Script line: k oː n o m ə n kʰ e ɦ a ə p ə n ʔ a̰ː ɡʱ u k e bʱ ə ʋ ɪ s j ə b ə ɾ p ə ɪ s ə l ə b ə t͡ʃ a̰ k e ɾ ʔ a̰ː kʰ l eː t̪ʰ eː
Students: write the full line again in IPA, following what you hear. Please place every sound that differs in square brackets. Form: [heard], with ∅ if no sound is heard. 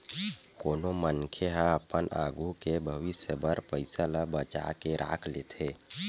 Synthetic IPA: k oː n o m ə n kʰ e ɦ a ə p ə n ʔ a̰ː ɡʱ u k e bʱ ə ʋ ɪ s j ə b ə ɾ p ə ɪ s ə l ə b ə t͡ʃ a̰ k e ɾ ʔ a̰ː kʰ l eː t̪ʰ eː